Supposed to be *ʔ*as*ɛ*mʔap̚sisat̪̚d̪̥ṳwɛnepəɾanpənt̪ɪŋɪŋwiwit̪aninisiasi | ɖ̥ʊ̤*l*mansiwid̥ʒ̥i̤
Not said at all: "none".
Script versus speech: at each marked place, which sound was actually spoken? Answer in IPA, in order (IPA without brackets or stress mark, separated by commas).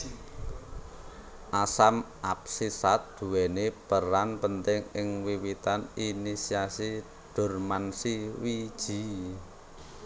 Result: ʔ, a, r